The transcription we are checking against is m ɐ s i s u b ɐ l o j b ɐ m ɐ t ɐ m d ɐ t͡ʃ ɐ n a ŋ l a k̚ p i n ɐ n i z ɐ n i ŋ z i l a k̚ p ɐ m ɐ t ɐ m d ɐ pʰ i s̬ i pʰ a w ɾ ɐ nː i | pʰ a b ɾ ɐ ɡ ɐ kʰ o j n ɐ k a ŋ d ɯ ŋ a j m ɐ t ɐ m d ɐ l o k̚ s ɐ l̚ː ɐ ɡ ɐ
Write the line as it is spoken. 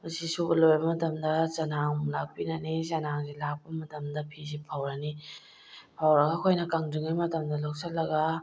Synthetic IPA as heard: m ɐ s i s u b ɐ l o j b ɐ m ɐ t ɐ m d ɐ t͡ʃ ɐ n a ŋ l a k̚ p i n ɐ n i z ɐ n a ŋ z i l a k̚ p ɐ m ɐ t ɐ m d ɐ pʰ i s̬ i pʰ a w ɾ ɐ n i | pʰ a w ɾ ɐ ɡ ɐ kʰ o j n ɐ k a ŋ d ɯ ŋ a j m ɐ t ɐ m d ɐ l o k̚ s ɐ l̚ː ɐ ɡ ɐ